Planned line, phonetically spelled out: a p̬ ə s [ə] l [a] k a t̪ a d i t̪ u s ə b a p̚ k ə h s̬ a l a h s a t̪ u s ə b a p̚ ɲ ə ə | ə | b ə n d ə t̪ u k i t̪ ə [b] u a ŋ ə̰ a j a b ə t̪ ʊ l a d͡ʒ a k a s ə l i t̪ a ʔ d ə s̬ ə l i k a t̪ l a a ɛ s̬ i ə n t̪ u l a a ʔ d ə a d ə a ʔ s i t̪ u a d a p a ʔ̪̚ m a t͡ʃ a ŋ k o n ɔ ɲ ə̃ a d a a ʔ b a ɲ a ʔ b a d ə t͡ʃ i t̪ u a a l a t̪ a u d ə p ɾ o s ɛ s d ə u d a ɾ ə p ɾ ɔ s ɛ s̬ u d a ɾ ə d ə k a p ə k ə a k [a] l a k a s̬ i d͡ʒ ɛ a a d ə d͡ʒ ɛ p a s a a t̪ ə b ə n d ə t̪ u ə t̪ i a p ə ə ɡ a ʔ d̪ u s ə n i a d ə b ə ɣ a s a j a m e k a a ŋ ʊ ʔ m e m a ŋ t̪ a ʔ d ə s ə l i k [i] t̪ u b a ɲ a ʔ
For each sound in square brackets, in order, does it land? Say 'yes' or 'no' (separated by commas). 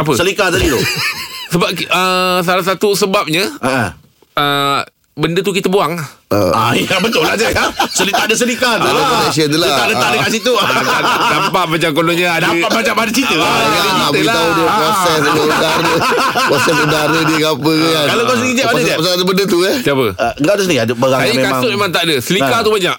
yes, no, yes, yes, no